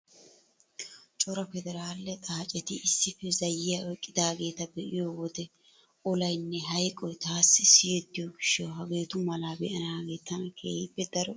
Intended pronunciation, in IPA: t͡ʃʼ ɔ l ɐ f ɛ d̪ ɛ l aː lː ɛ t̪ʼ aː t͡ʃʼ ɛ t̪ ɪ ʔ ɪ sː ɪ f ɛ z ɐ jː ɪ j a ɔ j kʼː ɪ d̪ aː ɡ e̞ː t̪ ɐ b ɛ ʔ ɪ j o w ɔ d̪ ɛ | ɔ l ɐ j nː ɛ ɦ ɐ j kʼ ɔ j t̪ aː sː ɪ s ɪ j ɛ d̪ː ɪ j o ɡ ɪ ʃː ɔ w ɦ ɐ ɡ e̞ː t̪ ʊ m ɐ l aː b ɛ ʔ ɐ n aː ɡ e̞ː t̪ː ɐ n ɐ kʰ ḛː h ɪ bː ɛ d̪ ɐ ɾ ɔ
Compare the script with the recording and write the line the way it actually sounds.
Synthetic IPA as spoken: t͡ʃʼ ɔ ɾ ɐ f ɛ d̪ ɛ ɾ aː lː ɛ t̪ʼ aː t͡ʃʼ ɛ t̪ ɪ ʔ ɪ sː ɪ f ɛ z ɐ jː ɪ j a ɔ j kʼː ɪ d̪ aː ɡ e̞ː t̪ ɐ b ɛ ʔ ɪ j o w ɔ d̪ ɛ | ɔ l ɐ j nː ɛ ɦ ɐ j kʼ ɔ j t̪ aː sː ɪ s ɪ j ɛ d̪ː ɪ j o ɡ ɪ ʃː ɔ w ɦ ɐ ɡ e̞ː t̪ ʊ m ɐ l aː b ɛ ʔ ɐ n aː ɡ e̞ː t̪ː ɐ n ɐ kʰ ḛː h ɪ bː ɛ d̪ ɐ ɾ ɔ